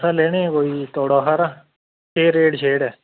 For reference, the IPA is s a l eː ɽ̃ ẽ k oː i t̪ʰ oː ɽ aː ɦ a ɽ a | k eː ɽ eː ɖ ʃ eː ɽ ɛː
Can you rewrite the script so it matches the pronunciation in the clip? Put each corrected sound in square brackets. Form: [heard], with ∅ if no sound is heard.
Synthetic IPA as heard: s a l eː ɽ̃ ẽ k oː i [t̪] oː ɽ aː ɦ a [ɾ] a | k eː [ɾ] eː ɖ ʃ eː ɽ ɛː